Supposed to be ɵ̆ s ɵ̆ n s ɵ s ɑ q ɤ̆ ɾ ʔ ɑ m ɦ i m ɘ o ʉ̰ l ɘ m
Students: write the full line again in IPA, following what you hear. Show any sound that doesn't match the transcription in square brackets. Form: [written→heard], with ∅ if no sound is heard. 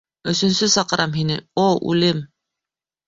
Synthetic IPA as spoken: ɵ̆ s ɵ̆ n s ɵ s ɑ q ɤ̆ ɾ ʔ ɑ m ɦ i [m→n] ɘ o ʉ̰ l ɘ m